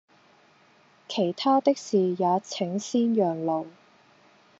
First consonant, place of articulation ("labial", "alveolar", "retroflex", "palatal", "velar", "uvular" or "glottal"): velar